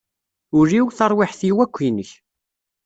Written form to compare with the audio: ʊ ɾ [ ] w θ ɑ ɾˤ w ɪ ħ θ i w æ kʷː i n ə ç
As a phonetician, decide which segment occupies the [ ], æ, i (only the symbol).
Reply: i